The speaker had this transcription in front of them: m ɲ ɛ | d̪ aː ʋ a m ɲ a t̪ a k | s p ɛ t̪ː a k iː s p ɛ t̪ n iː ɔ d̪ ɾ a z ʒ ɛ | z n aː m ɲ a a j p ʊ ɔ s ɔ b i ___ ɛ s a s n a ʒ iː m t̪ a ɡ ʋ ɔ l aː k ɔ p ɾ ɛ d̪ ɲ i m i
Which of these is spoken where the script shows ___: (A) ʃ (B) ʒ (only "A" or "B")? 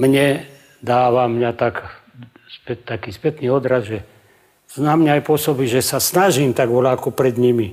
B